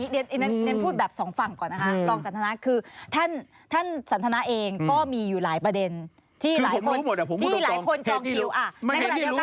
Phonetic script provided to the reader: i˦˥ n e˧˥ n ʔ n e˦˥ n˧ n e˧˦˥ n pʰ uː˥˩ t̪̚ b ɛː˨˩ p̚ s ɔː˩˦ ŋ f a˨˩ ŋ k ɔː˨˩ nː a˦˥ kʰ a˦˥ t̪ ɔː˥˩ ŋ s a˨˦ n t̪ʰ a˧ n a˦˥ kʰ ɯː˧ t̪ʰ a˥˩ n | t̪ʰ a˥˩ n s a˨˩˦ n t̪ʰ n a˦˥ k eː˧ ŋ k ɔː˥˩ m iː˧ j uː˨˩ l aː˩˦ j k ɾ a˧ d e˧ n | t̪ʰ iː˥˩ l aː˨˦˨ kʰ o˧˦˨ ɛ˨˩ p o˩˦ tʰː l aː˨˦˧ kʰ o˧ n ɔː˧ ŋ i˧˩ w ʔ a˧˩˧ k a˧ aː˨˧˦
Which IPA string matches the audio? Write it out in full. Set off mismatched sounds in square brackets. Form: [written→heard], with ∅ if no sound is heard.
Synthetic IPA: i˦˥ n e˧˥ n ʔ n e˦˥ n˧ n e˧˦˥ n pʰ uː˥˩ t̪̚ b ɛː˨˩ p̚ s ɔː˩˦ ŋ f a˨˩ ŋ k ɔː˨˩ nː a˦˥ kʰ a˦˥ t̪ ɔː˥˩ ŋ s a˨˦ n t̪ʰ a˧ n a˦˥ kʰ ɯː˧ t̪ʰ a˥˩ n | t̪ʰ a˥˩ n s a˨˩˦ n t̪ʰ n a˦˥ [k→ʔ] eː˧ ŋ k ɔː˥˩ m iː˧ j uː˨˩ l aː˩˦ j [k→p] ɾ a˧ d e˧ n | t̪ʰ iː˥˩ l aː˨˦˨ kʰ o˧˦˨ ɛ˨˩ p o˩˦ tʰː l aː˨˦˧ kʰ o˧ n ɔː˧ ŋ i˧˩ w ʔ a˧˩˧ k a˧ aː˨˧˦